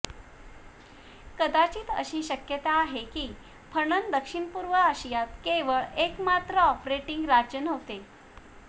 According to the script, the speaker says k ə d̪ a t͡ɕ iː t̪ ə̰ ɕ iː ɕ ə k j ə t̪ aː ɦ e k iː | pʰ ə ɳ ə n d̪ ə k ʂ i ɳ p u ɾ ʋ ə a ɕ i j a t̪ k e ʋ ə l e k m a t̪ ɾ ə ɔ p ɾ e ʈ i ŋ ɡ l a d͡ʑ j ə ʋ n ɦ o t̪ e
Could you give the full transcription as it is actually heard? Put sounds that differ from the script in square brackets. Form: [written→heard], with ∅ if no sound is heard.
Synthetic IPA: k ə d̪ a t͡ɕ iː t̪ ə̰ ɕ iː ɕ ə k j ə t̪ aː ɦ e k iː | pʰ ə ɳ ə n d̪ ə k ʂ i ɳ p u ɾ ʋ ə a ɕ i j a t̪ k e ʋ ə [l→ɭ] e k m a t̪ ɾ ə ɔ p ɾ e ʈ i ŋ ɡ [l→ɾ] a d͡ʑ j ə [ʋ→∅] n ɦ o t̪ e